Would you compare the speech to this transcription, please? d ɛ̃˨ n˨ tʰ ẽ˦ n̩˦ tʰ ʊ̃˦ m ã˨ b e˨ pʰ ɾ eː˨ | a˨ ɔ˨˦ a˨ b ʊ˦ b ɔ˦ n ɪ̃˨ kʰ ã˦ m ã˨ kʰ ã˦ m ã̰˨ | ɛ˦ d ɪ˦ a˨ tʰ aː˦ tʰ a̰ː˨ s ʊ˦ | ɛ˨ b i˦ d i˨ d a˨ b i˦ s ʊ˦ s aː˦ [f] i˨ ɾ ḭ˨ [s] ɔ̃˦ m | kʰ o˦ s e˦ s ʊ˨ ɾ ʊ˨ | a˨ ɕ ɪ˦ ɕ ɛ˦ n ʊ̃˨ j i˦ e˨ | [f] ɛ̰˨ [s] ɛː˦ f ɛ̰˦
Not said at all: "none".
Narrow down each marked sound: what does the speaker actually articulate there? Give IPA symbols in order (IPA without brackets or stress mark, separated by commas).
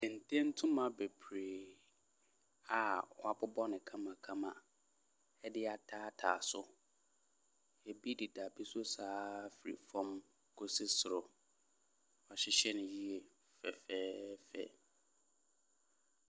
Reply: f, f, f, f